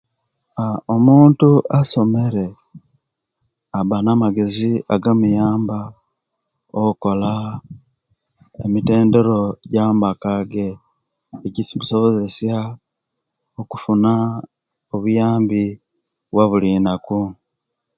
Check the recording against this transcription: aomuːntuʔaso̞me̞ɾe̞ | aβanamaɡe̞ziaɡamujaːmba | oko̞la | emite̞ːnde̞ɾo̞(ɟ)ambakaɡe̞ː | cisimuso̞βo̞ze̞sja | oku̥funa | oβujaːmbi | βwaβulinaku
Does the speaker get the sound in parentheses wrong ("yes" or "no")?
no